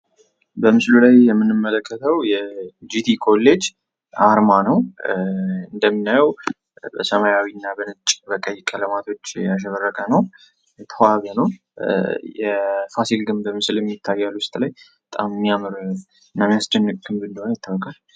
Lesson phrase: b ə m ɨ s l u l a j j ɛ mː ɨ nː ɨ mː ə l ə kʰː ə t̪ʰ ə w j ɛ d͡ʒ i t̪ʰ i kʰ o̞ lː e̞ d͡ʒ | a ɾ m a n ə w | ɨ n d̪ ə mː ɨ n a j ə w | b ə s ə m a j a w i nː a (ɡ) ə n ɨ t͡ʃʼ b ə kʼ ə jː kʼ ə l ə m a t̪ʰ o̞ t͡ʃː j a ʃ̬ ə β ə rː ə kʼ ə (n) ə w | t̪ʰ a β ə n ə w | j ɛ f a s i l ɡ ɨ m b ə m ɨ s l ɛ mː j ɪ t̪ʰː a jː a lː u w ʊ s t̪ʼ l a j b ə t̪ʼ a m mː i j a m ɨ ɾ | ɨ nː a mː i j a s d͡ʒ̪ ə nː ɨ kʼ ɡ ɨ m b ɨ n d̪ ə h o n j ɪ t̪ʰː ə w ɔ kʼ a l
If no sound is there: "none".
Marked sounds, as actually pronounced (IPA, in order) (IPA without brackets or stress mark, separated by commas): b, n